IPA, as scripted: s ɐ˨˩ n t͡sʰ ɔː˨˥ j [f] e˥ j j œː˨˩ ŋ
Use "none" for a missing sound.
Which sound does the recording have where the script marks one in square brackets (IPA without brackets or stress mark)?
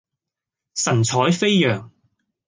f